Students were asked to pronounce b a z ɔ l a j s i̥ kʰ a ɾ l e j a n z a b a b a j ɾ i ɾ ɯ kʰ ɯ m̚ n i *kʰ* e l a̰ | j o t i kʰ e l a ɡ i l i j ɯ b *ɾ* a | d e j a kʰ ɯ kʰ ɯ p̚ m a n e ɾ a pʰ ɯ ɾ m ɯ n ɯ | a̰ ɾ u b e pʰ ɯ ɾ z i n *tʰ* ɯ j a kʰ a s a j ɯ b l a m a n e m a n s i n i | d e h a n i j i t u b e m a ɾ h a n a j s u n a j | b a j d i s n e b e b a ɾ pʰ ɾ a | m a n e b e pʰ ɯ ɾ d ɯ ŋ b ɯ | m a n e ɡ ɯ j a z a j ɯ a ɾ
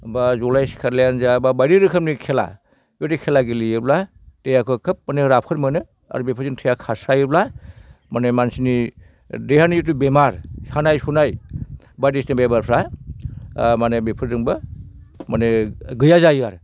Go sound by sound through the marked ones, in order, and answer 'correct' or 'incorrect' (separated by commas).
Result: correct, incorrect, correct